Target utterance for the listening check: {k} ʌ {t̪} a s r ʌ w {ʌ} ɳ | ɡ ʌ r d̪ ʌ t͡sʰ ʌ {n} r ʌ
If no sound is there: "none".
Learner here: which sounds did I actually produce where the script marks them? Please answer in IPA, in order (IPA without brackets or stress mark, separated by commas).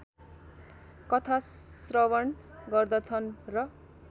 k, t̪ʰ, ʌ, n